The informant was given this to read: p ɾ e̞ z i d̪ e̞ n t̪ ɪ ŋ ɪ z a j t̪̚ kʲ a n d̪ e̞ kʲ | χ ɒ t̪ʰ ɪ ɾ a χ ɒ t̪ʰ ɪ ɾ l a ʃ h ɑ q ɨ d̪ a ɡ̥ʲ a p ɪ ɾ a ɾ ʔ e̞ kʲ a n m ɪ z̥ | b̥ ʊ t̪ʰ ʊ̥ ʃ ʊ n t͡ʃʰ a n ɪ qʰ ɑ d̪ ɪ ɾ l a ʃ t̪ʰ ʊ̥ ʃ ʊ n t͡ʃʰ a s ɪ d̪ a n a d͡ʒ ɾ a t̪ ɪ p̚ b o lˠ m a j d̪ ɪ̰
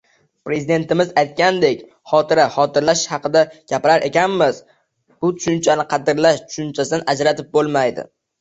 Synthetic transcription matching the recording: p ɾ e̞ z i d̪ e̞ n t̪ ɪ m ɪ z a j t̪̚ kʲ a n d̪ e̞ kʲ | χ ɒ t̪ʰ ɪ ɾ a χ ɒ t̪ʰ ɪ ɾ l a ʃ h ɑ q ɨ d̪ a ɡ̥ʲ a p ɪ ɾ a ɾ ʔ e̞ kʲ a n m ɪ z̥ | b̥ ʊ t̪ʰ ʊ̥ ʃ ʊ n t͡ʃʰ a n ɪ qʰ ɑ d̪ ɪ ɾ l a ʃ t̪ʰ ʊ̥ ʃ ʊ n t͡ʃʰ a s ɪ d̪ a n a d͡ʒ ɾ a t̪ ɪ p̚ b o lˠ m a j d̪ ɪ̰